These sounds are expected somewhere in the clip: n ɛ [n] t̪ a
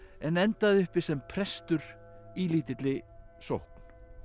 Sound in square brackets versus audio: correct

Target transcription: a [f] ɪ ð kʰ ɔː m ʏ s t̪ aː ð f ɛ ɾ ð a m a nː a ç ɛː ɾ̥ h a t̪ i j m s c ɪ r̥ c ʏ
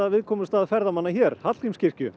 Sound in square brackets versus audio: incorrect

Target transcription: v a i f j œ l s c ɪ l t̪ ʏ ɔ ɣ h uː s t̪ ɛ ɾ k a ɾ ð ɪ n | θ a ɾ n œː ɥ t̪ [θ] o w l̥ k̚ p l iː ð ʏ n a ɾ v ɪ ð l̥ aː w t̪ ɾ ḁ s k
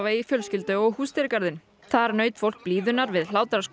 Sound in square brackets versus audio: incorrect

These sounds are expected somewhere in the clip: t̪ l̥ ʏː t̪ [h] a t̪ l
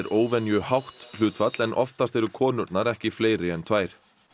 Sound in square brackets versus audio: incorrect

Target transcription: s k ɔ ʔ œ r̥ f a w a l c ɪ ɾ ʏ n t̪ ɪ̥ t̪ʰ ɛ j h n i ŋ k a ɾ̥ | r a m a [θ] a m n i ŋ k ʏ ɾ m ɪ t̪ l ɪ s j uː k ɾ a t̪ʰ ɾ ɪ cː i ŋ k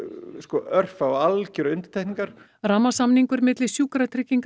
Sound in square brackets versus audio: incorrect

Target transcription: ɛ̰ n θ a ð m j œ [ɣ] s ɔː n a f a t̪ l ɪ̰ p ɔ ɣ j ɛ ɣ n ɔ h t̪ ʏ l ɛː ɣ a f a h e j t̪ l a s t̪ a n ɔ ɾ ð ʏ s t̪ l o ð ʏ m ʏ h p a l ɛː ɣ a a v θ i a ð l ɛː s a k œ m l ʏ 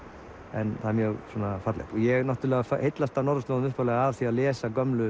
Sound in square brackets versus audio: correct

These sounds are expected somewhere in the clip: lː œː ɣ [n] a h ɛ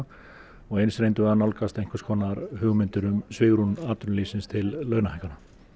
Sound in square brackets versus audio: correct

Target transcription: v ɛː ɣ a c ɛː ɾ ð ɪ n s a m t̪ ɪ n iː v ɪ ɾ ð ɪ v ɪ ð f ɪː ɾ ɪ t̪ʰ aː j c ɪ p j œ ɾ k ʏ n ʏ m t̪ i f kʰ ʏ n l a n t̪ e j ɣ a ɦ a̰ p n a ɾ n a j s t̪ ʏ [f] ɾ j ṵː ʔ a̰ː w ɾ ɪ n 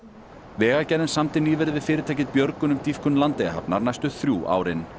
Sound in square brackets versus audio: incorrect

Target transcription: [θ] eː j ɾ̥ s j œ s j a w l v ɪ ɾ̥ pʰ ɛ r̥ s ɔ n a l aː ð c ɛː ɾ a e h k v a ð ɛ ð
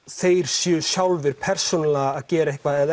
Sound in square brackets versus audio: correct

